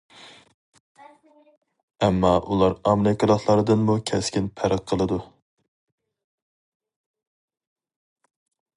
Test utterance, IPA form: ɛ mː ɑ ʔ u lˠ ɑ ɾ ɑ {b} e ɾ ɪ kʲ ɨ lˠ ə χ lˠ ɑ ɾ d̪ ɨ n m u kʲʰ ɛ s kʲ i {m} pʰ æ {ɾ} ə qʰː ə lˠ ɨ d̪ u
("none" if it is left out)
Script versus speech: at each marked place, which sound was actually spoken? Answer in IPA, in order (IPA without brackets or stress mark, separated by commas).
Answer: m, n, ɾ